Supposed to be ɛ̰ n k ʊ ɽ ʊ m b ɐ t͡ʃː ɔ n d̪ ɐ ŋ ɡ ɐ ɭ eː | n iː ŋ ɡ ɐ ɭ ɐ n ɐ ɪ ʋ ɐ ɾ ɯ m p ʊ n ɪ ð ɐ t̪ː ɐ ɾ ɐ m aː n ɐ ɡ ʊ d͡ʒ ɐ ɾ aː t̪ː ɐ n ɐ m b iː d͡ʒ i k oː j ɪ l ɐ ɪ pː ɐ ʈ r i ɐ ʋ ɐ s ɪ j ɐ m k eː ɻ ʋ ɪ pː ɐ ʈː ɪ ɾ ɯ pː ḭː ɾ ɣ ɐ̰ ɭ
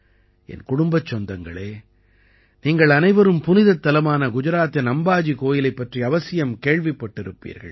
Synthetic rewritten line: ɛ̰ n k ʊ ɽ ʊ m b ɐ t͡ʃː ɔ n d̪ ɐ ŋ ɡ ɐ ɭ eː | n iː ŋ ɡ ɐ ɭ ɐ n ɐ ɪ ʋ ɐ ɾ ɯ m p ʊ n ɪ ð ɐ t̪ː ɐ l ɐ m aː n ɐ ɡ ʊ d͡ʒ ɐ ɾ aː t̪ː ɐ n ɐ m b aː d͡ʒ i k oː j ɪ l ɐ ɪ pː ɐ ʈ r i ɐ ʋ ɐ s ɪ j ɐ m k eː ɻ ʋ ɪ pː ɐ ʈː ɪ ɾ ɯ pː ḭː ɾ ɣ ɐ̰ ɭ